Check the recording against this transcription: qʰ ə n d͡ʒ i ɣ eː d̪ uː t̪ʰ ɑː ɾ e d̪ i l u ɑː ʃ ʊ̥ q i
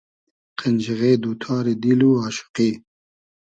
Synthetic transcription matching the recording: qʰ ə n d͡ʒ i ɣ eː d̪ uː t̪ʰ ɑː ɾ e d̪ i l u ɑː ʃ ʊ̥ q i